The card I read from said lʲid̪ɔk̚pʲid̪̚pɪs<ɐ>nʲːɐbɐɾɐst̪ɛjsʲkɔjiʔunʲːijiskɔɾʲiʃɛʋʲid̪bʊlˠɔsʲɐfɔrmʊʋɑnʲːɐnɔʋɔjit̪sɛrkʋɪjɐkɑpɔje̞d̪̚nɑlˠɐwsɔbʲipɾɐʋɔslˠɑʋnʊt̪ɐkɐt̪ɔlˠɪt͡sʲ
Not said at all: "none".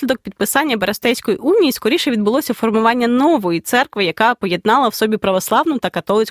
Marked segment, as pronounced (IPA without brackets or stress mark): ɑ